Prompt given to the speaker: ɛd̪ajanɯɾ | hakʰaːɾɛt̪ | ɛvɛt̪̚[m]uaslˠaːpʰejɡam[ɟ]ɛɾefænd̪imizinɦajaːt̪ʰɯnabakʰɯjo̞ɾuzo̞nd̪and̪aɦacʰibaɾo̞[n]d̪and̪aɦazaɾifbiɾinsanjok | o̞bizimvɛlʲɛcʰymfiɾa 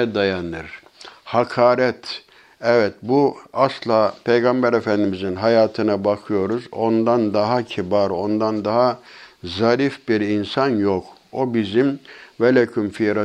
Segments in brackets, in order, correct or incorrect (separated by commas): incorrect, incorrect, correct